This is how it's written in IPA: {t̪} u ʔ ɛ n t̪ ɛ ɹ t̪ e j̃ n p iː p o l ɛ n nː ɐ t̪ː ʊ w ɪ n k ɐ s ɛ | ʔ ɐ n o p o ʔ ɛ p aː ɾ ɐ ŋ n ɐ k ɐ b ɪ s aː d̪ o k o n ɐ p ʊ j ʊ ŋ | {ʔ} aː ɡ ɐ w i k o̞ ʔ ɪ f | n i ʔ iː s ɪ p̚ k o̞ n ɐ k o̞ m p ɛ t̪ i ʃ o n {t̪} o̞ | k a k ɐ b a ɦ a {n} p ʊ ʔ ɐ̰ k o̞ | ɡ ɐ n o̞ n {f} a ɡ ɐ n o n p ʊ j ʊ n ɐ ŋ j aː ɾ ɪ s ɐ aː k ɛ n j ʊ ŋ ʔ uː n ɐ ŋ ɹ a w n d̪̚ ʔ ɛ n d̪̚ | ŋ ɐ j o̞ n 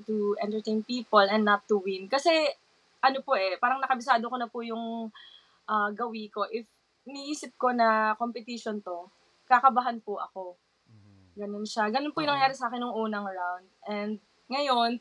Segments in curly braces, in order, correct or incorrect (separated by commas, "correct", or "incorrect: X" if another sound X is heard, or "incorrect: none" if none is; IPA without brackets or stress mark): correct, correct, correct, correct, incorrect: ʃ